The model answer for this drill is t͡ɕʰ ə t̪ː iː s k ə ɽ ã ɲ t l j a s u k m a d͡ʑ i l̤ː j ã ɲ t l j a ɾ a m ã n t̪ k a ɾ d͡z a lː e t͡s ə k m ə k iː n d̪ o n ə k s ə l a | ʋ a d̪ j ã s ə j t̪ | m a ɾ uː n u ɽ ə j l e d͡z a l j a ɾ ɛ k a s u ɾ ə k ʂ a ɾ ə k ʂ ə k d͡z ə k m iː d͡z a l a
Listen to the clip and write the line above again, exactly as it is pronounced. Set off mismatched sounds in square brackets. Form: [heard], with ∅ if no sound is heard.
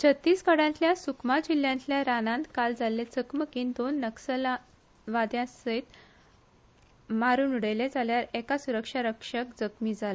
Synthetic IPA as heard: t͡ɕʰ ə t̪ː iː s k ə ɽ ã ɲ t l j a s u k m a d͡ʑ i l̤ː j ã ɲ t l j a ɾ a [n] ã n t̪ k a [l] d͡z a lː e t͡s ə k m ə k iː n d̪ o [nː] ə k s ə l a | ʋ a d̪ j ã s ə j t̪ | m a ɾ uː n u ɽ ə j l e d͡z a l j a ɾ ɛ k a s u ɾ ə k ʂ a ɾ ə k ʂ ə k d͡z ə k m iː d͡z a l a